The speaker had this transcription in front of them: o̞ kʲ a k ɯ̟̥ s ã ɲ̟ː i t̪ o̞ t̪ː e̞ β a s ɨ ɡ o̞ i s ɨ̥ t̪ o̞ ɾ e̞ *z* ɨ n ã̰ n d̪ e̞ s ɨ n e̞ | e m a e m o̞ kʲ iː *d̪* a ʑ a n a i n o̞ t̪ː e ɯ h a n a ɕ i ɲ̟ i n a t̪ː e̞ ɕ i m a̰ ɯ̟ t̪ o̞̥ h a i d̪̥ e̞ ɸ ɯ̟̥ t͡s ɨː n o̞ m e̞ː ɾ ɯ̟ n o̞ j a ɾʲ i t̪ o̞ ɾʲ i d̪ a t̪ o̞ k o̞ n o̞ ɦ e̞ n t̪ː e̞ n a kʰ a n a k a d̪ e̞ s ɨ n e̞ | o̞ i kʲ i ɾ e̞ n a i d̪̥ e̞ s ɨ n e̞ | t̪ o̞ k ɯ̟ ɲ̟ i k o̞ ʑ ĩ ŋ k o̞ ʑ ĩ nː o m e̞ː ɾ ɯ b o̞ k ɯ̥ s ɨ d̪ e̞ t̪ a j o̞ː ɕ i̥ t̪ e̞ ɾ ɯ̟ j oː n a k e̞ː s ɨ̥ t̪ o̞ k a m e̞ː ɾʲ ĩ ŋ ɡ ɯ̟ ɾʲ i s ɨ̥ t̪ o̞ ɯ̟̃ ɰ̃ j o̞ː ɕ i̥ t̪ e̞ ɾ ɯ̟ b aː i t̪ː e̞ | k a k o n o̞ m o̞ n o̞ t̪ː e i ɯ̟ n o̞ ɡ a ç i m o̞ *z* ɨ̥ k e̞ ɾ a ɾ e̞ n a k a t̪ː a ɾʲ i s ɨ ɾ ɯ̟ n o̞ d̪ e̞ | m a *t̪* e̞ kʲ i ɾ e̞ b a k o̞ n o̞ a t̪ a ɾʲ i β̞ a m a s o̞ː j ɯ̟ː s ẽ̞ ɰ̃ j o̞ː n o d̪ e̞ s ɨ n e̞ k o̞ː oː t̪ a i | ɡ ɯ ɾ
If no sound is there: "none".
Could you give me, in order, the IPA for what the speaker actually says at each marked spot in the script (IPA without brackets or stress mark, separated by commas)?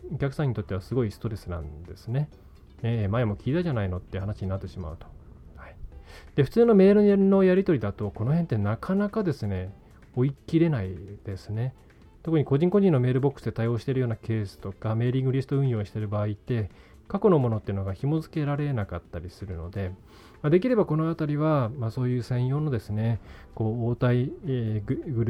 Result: s, t̪, z, d̪